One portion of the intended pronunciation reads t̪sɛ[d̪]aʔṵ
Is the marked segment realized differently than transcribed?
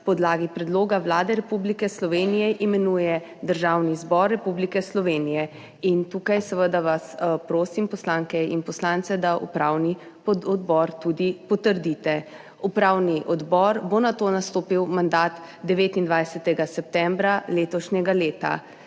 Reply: no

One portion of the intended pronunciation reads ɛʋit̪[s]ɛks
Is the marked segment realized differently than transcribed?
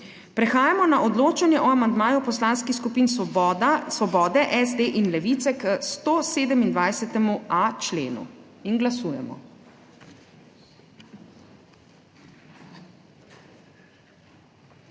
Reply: no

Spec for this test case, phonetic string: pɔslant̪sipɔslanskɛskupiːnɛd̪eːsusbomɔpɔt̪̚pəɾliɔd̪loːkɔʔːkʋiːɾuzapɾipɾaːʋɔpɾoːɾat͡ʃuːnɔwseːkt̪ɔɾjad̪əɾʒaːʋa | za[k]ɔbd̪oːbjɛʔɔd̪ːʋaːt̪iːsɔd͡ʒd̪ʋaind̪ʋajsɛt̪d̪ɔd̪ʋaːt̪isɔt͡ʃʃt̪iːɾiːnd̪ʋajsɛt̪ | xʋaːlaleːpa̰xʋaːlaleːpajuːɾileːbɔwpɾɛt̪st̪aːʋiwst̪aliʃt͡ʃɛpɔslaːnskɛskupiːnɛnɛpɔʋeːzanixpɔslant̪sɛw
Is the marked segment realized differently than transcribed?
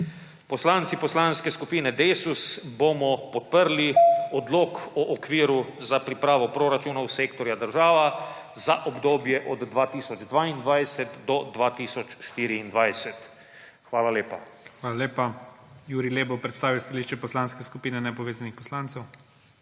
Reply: yes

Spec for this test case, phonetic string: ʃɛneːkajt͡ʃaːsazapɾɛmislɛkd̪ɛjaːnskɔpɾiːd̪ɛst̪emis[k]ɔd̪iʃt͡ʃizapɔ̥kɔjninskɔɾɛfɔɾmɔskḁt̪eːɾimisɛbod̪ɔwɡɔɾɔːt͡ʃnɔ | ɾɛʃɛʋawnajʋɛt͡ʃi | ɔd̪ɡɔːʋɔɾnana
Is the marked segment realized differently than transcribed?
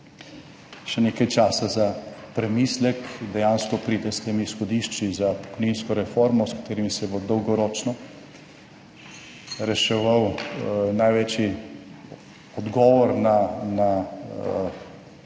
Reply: yes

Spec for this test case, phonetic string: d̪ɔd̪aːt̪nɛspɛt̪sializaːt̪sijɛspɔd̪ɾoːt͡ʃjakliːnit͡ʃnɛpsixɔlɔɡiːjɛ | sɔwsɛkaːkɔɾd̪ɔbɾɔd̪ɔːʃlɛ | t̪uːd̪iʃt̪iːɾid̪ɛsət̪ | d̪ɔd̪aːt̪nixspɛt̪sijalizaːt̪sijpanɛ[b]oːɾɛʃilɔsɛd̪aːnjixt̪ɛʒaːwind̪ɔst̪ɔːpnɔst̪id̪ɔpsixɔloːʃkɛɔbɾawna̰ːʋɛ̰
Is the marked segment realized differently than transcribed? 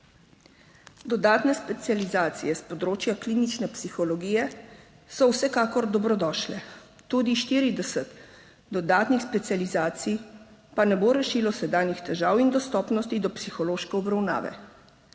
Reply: no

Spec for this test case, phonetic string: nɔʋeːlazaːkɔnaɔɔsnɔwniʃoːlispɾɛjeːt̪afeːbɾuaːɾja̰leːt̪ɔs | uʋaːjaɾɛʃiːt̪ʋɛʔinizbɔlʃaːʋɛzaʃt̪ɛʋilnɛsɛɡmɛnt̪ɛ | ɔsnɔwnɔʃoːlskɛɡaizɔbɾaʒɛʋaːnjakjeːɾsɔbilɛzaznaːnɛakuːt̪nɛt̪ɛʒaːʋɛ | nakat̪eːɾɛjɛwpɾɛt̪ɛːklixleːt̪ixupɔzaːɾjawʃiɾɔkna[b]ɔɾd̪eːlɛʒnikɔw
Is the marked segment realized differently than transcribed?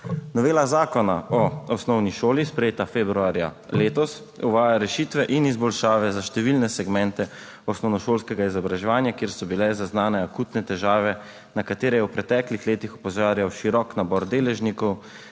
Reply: no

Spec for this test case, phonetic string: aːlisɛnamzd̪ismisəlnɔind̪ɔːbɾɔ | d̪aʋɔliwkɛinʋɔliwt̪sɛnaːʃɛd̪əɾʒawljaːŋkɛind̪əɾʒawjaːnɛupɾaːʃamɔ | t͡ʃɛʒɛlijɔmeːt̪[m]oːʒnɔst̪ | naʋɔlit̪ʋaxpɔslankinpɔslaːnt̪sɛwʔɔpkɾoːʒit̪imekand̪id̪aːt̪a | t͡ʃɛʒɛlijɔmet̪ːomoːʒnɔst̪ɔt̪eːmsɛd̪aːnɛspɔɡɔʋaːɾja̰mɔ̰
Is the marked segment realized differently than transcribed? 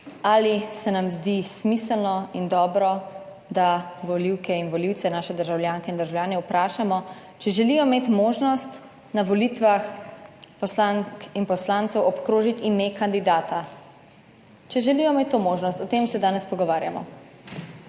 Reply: no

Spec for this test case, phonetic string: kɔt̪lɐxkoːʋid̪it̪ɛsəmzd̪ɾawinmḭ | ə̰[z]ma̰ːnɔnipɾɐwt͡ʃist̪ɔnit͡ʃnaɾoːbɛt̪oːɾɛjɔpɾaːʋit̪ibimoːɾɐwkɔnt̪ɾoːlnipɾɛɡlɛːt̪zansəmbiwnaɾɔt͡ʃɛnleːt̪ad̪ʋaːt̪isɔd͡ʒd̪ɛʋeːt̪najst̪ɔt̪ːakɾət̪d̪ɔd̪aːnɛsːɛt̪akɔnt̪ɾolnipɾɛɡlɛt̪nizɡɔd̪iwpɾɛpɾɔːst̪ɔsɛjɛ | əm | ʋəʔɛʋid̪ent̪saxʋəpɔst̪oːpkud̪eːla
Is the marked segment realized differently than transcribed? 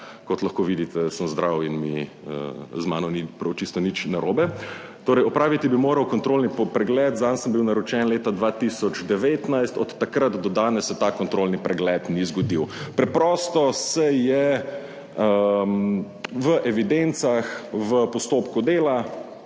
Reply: no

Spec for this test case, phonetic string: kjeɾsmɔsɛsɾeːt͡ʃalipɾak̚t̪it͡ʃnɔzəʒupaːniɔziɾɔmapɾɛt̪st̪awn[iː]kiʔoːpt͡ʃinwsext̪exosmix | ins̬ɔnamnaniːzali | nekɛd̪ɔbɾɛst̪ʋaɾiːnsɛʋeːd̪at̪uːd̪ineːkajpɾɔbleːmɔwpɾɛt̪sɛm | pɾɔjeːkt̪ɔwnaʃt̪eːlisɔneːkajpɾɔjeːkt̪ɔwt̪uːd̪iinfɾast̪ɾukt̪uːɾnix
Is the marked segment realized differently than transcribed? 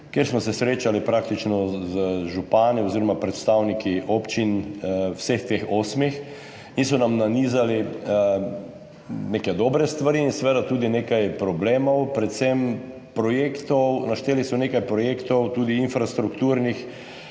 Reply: yes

